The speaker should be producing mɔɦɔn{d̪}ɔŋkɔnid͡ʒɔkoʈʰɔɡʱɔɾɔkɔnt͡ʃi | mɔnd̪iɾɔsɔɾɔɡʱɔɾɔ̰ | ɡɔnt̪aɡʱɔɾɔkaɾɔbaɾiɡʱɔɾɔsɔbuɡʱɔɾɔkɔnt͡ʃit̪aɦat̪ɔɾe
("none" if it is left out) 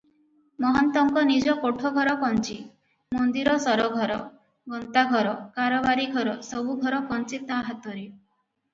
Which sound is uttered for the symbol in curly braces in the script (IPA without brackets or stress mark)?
t̪